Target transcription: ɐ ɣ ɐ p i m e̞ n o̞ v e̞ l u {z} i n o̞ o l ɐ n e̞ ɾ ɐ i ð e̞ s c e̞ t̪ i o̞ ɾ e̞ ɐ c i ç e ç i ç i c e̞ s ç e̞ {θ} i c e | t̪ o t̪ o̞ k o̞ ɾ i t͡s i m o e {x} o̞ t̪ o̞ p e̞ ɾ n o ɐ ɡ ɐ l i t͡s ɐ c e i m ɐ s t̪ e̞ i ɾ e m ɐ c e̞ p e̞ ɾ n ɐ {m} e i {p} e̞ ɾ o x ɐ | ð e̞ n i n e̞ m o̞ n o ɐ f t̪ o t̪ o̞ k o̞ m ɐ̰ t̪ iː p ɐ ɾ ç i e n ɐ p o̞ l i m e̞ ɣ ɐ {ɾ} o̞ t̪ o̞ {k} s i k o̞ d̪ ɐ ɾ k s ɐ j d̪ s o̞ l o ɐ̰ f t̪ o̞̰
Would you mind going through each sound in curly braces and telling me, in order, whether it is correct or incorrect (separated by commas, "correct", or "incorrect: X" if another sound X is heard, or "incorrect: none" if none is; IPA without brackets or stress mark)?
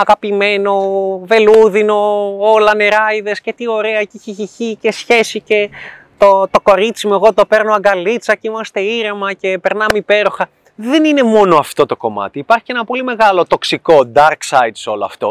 incorrect: ð, incorrect: s, incorrect: ɣ, correct, correct, incorrect: l, correct